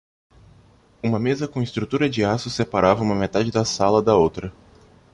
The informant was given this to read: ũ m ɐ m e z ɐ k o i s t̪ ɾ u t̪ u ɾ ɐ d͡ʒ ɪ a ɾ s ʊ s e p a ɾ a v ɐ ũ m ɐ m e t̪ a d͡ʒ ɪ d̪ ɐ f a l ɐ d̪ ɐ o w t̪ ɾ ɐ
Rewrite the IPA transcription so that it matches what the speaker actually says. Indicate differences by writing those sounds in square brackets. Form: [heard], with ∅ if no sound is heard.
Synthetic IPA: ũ m ɐ m e z ɐ k [õ] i s t̪ ɾ u t̪ u ɾ ɐ d͡ʒ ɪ a [∅] s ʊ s e p a ɾ a v ɐ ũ m ɐ m e t̪ a d͡ʒ ɪ d̪ ɐ [s] a l ɐ d̪ ɐ o w t̪ ɾ ɐ

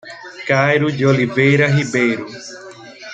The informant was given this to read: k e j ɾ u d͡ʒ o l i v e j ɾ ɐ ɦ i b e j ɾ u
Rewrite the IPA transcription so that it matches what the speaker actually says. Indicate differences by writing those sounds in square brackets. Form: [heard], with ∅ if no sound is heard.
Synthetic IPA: k [a] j ɾ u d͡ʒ o l i v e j ɾ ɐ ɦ i b e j ɾ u

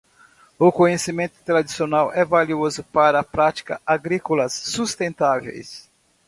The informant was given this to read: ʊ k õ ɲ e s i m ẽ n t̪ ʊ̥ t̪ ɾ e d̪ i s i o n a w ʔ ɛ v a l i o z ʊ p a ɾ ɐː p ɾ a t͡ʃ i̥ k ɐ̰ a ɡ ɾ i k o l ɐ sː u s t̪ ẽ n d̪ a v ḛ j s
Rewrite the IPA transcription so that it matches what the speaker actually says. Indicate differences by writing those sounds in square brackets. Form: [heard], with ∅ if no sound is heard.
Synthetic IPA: ʊ k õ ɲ e s i m ẽ n t̪ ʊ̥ t̪ ɾ [a] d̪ i s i o n a w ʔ ɛ v a l i o z ʊ p a ɾ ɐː p ɾ a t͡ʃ i̥ k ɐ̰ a ɡ ɾ i k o l ɐ sː u s t̪ ẽ n [t̪] a v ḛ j s

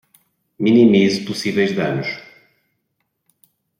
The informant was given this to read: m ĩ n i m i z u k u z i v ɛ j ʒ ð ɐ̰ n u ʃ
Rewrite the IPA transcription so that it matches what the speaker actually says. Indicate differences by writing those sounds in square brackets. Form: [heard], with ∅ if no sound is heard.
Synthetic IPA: m [i] n i m i z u [p] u [s] i v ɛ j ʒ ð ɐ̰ n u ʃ

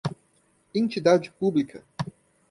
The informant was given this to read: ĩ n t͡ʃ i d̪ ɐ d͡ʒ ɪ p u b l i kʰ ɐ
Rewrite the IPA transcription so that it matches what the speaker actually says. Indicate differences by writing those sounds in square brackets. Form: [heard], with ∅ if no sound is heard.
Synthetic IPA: [ẽ] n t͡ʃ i d̪ [a] d͡ʒ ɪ p u b l i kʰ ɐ

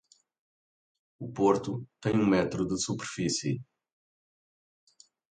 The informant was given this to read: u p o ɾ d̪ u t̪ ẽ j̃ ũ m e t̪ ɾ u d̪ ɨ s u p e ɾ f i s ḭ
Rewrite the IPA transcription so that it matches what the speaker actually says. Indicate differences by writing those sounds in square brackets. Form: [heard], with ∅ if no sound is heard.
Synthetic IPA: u p o ɾ [t̪] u t̪ ẽ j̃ ũ m [ɛ] t̪ ɾ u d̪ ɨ s u p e ɾ f i s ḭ

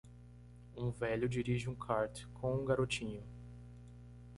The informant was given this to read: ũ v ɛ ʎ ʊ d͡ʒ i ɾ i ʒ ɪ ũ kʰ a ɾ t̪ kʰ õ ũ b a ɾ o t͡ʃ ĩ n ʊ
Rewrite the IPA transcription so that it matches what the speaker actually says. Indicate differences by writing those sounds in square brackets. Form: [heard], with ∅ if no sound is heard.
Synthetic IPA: ũ v ɛ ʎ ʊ d͡ʒ i ɾ i ʒ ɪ ũ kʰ a ɾ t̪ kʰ õ ũ [ɡ] a ɾ o t͡ʃ ĩ [ɲ] ʊ

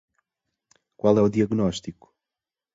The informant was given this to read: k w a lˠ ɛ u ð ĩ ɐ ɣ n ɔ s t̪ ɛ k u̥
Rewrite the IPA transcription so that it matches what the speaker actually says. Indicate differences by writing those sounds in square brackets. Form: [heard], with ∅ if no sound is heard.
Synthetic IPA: k w a lˠ ɛ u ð [i] ɐ ɣ n ɔ [ʃ] t̪ [i] k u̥

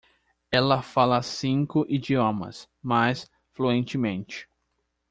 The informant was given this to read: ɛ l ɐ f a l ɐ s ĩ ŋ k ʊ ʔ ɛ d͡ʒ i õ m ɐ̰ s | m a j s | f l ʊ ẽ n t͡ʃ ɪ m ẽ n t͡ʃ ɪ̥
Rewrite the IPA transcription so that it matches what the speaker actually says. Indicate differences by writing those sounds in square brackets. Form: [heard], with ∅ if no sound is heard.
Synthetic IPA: ɛ l ɐ f a l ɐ s ĩ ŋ k ʊ ʔ [i] d͡ʒ i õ m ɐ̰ s | m a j s | f l [u] ẽ n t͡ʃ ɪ m ẽ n t͡ʃ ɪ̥

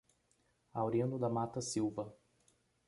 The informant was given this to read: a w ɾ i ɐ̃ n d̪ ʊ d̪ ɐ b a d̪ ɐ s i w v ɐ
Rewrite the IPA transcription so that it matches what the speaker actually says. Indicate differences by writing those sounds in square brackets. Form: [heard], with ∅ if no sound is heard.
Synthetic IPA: a w ɾ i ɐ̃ n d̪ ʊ d̪ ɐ [m] a [t̪] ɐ s i w v ɐ

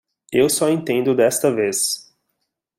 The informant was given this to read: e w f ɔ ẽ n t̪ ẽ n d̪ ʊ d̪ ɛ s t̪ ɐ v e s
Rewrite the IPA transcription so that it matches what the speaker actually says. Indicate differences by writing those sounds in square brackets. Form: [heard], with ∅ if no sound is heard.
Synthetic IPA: e w [s] ɔ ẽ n t̪ ẽ n d̪ ʊ d̪ ɛ s t̪ ɐ v e s

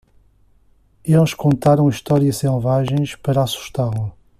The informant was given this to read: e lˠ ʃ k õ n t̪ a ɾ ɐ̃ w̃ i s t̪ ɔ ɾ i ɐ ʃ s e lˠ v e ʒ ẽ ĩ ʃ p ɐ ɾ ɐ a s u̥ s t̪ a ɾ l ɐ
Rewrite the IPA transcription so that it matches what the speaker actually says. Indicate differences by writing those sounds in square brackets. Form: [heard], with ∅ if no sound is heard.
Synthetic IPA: e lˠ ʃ k õ n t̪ a ɾ ɐ̃ w̃ i [ʃ] t̪ ɔ ɾ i ɐ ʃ s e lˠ v [a] ʒ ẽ [j̃] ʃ p ɐ ɾ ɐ a s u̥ [ʃ] t̪ a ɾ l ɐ

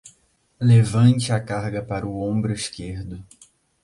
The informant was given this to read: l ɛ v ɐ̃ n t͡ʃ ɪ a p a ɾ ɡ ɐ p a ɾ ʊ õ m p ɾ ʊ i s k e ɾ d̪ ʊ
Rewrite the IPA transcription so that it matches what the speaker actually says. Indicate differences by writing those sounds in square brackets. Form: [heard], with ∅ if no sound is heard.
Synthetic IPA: l [e] v ɐ̃ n t͡ʃ ɪ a [k] a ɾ ɡ ɐ p a ɾ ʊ õ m [b] ɾ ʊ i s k e ɾ d̪ ʊ

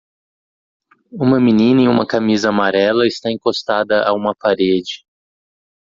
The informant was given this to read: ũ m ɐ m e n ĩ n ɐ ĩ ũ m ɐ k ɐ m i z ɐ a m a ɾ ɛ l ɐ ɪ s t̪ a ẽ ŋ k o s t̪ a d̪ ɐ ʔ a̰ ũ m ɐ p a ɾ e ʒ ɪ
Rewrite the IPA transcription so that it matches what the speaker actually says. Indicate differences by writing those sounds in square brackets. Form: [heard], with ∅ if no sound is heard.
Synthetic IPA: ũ m ɐ m [i] n ĩ n ɐ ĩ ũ m ɐ k [a] m i z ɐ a m a ɾ ɛ l ɐ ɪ s t̪ a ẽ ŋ k o s t̪ a d̪ ɐ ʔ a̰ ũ m ɐ p a ɾ e [d͡ʒ] ɪ

